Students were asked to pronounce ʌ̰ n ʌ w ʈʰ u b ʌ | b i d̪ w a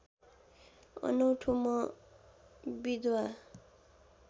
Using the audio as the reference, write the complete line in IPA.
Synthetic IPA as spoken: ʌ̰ n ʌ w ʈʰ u m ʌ | b i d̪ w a